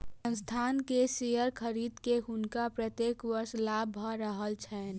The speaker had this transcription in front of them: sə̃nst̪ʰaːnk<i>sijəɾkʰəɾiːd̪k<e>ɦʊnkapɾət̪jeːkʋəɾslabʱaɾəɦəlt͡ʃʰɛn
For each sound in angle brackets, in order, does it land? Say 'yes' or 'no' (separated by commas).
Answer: no, yes